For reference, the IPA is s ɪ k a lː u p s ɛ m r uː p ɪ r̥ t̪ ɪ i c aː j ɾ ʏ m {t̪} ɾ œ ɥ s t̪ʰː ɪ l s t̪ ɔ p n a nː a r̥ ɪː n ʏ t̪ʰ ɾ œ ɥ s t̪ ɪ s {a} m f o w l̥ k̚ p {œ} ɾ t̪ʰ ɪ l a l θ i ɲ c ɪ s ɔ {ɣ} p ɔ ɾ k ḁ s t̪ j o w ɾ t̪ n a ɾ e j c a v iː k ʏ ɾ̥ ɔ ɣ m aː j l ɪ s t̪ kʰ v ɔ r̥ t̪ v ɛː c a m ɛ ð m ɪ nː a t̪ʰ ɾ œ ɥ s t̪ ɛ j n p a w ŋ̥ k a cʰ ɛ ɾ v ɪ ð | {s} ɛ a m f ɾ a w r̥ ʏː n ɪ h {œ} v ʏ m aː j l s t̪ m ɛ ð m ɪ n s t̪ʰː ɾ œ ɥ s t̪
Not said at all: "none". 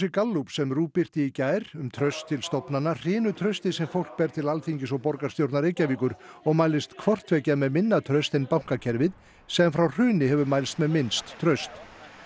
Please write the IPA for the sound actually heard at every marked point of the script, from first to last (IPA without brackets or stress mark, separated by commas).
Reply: t̪ʰ, ɛ, ɛ, ɣ, s, ɛ